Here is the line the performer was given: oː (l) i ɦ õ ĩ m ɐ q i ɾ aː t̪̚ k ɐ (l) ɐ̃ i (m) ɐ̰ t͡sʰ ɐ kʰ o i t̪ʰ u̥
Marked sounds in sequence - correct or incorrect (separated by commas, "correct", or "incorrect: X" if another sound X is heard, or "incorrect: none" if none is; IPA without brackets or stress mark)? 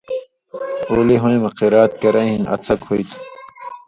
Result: correct, incorrect: ɾ, incorrect: n